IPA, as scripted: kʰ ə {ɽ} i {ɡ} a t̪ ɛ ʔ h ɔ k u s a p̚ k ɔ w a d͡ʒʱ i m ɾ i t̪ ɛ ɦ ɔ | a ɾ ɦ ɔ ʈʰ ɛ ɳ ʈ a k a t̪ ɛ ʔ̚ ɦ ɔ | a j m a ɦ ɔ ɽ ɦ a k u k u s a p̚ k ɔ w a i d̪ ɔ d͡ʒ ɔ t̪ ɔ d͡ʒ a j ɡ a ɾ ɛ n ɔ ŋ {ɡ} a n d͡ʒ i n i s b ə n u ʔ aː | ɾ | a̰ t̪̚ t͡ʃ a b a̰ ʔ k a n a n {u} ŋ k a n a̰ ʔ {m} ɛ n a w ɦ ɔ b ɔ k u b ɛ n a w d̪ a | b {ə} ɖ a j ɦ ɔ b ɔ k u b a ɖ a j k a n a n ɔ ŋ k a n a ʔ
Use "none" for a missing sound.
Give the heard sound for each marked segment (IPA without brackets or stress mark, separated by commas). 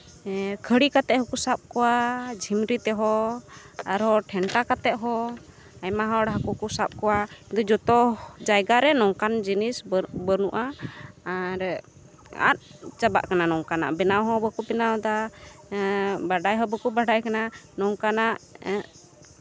ɽ, k, k, ɔ, b, a